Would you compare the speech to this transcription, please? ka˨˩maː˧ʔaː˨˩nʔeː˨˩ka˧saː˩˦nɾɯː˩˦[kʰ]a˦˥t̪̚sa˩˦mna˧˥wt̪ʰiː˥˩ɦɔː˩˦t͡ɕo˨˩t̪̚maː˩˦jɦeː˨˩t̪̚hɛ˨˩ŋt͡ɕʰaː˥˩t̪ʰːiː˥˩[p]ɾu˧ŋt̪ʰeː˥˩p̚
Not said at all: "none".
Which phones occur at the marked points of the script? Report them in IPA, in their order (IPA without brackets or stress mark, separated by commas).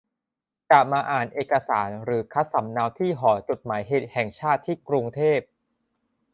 kʰ, k